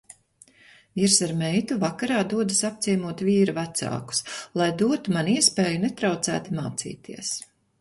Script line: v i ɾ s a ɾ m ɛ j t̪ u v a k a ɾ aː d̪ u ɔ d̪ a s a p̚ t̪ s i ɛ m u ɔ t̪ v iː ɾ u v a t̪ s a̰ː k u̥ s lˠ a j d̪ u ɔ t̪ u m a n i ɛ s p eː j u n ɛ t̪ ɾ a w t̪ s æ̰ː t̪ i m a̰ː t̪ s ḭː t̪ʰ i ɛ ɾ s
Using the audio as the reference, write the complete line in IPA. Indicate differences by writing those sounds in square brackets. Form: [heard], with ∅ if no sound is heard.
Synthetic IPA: v i ɾ s a ɾ m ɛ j t̪ u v a k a ɾ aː d̪ u ɔ d̪ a s a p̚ t̪ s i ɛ m u ɔ t̪ v iː ɾ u v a t̪ s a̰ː k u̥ s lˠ a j d̪ u ɔ t̪ u m a n i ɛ s p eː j u n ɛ t̪ ɾ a w t̪ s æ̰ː t̪ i m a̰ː t̪ s ḭː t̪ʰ i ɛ [∅] s

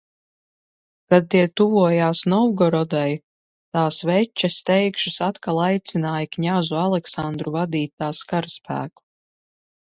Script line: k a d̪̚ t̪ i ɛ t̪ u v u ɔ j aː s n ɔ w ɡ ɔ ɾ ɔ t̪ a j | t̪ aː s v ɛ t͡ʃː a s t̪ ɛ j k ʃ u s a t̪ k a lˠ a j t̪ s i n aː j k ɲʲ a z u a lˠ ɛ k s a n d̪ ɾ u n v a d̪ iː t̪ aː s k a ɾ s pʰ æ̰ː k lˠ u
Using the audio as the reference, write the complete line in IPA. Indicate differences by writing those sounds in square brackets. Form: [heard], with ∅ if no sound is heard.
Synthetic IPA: k a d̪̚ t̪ i ɛ t̪ u v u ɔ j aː s n ɔ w ɡ ɔ ɾ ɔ [d̪] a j | t̪ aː s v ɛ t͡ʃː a s t̪ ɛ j k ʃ u s a t̪ k a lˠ a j t̪ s i n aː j k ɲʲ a z u a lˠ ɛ k s a n d̪ ɾ u [∅] v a d̪ iː t̪ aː s k a ɾ s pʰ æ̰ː k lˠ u

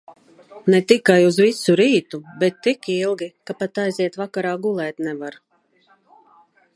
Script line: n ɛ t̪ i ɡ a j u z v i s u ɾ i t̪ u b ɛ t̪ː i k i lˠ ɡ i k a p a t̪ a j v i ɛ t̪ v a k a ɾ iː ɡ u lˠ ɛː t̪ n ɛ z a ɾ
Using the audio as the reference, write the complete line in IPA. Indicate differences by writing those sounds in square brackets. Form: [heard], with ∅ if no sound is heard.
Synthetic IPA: n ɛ t̪ i [k] a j u z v i s u ɾ [iː] t̪ u b ɛ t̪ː i k i lˠ ɡ i k a p a t̪ a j [z] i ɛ t̪ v a k a ɾ [aː] ɡ u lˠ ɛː t̪ n ɛ [v] a ɾ

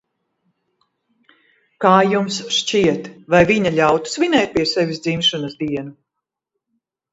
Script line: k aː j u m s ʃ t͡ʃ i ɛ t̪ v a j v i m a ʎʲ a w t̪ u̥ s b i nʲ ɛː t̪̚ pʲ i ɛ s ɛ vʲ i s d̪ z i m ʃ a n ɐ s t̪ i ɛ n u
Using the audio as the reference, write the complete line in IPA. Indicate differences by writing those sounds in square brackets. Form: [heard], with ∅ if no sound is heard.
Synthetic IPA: k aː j u m s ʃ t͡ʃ i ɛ t̪ v a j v i [ɲ] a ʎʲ a w t̪ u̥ s [v] i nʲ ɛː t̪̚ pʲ i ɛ s ɛ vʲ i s d̪ z i m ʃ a n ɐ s [d̪] i ɛ n u

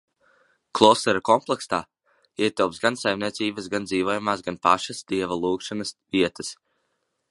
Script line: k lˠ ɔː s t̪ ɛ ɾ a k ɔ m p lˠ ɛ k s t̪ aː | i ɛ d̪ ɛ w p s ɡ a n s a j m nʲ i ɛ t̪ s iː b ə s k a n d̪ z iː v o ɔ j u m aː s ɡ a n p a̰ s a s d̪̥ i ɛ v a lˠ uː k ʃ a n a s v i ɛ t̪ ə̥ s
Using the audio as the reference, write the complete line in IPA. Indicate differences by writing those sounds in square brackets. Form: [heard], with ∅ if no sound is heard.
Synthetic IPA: k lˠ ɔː s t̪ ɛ ɾ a k ɔ m p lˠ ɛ k s t̪ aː | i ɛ [t̪] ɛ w p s ɡ a n s a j m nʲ i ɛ t̪ s iː b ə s [ɡ] a n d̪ z iː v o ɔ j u m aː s ɡ a n p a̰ [ʃ] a s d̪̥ i ɛ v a lˠ uː k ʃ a n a s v i ɛ t̪ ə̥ s

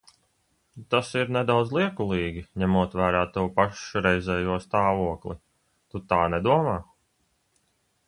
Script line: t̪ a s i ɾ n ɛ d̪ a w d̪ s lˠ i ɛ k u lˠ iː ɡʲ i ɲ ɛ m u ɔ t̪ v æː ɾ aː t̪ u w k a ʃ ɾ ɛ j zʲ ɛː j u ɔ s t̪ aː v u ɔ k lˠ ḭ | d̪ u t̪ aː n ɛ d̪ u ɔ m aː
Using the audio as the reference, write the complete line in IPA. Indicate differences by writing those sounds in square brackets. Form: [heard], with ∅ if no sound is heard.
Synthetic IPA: t̪ a s i ɾ n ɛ d̪ a w d̪ [z] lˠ i ɛ k u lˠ iː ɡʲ i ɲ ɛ m u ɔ t̪ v æː ɾ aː t̪ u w [p] a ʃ ɾ ɛ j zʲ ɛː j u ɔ s t̪ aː v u ɔ k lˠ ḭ | [t̪] u t̪ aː n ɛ d̪ u ɔ m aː

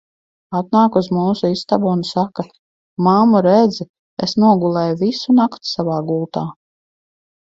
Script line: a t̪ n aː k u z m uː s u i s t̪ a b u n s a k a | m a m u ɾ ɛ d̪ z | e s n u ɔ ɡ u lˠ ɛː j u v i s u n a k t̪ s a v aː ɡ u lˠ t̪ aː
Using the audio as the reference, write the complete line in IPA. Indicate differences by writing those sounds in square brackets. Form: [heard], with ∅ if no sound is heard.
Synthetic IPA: a t̪ n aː k u z m uː s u i s t̪ a b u n s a k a | m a m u ɾ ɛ d̪ z | e s n u ɔ ɡ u lˠ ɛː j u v i s u n a k t̪ s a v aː ɡ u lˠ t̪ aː

